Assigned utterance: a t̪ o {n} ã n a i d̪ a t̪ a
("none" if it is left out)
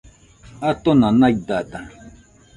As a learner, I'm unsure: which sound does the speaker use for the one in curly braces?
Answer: n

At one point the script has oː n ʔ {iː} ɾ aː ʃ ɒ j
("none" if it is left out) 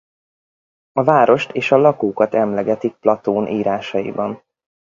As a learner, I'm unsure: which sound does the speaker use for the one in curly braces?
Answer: iː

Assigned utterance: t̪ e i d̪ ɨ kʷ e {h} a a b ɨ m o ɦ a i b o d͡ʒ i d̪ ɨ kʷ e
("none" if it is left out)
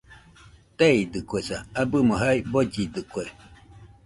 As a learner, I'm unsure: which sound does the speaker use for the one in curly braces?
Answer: s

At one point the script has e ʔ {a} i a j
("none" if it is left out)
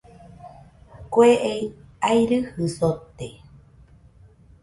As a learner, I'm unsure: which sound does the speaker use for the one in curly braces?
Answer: e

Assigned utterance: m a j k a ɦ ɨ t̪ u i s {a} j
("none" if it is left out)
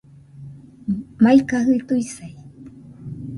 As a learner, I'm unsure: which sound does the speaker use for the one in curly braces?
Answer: a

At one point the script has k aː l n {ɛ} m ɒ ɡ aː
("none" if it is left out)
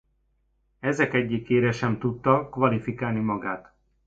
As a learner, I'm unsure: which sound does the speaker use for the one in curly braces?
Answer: i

